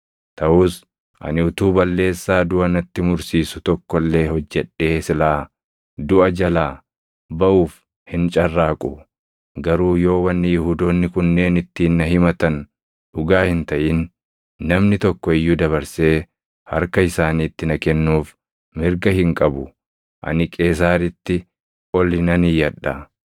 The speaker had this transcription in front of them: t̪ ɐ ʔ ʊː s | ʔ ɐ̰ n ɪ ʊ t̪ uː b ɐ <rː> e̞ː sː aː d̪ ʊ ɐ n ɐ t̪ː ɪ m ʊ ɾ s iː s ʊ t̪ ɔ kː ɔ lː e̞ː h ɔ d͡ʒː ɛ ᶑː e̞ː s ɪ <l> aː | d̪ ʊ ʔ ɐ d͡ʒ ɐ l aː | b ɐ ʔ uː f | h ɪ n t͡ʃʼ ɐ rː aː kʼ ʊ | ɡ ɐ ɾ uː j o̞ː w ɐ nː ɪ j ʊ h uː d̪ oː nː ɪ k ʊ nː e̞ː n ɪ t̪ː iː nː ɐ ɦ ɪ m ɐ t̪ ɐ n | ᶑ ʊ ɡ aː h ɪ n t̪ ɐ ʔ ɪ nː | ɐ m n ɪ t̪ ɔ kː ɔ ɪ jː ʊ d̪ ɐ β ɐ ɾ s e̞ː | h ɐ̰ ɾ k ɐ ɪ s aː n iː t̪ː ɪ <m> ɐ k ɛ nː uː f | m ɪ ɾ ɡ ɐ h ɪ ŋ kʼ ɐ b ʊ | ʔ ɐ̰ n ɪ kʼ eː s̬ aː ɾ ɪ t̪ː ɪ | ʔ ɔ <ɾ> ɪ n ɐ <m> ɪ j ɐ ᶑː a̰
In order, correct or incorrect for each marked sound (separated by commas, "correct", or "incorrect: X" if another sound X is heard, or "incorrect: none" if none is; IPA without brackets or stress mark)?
incorrect: lː, correct, incorrect: n, incorrect: l, incorrect: n